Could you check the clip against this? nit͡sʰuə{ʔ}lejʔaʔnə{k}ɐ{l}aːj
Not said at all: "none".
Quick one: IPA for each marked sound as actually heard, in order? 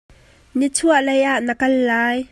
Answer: ʔ, k, lː

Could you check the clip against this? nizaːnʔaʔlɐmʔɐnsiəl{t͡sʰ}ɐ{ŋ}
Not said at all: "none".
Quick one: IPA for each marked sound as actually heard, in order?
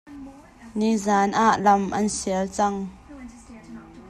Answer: t͡s, ŋ

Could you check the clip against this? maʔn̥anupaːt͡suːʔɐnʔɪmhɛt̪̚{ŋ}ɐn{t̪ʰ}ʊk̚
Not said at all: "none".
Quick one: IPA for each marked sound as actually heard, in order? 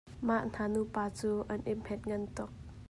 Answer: ŋ, t̪

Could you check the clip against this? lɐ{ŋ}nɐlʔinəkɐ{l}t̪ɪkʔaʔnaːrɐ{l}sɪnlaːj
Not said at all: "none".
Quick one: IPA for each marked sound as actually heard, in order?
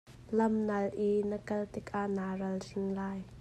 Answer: m, l, l

